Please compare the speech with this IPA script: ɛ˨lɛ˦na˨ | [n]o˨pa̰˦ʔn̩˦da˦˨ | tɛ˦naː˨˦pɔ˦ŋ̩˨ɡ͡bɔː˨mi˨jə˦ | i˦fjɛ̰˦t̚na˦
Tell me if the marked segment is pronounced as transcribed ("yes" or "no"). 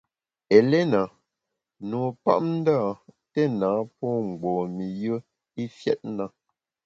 yes